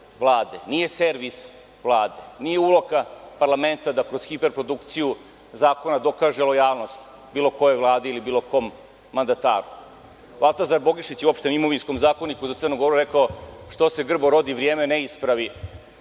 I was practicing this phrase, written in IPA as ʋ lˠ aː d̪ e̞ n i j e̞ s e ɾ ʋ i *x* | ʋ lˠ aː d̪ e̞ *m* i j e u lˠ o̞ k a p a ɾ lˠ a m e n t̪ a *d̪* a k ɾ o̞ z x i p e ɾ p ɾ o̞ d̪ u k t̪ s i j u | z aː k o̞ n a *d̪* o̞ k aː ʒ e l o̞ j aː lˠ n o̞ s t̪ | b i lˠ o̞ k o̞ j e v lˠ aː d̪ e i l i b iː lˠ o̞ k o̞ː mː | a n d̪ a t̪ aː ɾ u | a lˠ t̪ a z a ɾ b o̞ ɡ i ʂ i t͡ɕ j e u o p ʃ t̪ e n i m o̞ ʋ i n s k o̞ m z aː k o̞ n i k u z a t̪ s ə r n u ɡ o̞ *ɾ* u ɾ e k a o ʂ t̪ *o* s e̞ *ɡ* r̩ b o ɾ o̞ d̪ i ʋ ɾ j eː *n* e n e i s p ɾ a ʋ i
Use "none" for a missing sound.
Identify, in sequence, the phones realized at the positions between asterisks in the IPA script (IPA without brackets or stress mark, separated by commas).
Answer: s, n, d̪, d̪, ɾ, o, ɡ, m